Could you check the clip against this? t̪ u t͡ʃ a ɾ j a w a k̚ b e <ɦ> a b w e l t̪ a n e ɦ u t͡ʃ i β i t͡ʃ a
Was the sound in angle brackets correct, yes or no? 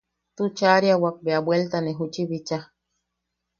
no